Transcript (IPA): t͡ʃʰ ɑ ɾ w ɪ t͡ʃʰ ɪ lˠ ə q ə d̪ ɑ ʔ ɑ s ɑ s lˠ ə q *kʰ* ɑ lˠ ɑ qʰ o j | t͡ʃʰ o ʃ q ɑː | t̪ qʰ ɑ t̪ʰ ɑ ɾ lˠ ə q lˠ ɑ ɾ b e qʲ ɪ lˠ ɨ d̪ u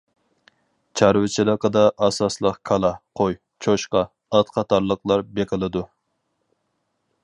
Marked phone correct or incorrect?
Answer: correct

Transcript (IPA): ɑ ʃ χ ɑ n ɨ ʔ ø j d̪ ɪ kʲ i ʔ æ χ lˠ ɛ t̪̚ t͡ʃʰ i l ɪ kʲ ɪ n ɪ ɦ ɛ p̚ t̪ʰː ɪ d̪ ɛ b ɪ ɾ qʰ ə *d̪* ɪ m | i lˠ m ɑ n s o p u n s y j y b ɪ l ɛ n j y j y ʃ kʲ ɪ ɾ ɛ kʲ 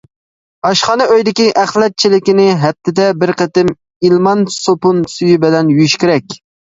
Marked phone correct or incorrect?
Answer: incorrect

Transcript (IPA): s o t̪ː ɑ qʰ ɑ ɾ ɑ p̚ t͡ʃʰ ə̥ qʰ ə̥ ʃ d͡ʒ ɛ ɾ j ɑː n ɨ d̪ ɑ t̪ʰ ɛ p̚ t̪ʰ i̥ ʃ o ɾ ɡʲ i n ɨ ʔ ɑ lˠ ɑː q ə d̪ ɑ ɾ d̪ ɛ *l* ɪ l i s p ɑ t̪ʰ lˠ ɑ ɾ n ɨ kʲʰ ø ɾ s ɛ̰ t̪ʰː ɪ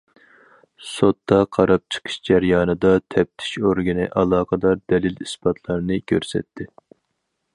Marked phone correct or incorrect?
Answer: correct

